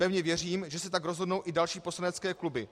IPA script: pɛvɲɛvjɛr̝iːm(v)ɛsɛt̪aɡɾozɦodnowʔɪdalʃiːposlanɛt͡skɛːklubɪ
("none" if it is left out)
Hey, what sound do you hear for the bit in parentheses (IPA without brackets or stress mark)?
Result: ʒ